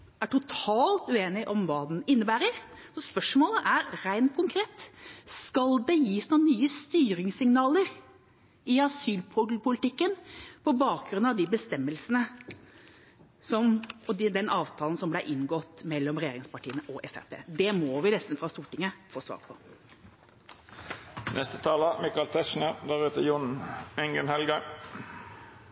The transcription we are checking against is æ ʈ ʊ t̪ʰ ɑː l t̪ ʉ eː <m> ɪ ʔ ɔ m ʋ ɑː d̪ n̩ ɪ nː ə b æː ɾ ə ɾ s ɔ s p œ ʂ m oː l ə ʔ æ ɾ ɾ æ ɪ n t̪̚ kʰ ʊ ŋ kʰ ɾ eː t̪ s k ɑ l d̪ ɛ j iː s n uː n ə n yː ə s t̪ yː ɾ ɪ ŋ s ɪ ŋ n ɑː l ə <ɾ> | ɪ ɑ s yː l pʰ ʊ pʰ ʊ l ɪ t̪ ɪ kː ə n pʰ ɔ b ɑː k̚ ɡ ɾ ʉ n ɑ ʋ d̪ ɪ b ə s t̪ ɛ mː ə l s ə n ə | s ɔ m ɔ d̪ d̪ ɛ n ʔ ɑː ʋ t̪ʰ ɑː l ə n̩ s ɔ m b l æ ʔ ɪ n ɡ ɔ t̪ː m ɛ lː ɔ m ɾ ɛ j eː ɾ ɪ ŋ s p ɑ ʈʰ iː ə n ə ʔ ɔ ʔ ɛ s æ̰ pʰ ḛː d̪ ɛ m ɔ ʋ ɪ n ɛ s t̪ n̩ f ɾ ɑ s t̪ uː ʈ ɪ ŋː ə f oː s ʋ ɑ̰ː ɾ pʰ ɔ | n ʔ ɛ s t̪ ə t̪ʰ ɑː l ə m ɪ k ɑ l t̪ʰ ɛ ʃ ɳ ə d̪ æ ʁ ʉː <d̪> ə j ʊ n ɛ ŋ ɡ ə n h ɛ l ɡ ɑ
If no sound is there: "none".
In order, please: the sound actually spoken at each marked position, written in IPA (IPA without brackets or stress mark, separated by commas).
n, ɾ, t̪